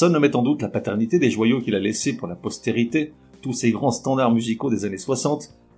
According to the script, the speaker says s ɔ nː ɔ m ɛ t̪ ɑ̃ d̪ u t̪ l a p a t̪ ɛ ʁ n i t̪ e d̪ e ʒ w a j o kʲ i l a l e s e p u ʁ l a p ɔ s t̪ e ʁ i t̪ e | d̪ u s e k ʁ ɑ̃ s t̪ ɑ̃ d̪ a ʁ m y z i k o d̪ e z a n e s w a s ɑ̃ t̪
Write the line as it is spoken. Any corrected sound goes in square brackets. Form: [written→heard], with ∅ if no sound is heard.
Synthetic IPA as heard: s ɔ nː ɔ m ɛ t̪ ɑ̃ d̪ u t̪ l a p a t̪ ɛ ʁ n i t̪ e d̪ e ʒ w a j o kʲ i l a l e s e p u ʁ l a p ɔ s t̪ e ʁ i t̪ e | [d̪→t̪] u s e [k→ɡ] ʁ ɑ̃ s t̪ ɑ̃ d̪ a ʁ m y z i k o d̪ e z a n e s w a s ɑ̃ t̪